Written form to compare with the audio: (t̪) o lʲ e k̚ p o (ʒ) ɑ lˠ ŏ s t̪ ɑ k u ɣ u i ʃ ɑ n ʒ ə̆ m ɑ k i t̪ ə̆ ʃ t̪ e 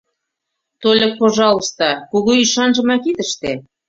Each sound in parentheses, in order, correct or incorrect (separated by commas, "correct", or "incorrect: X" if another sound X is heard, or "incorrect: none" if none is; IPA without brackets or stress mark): correct, correct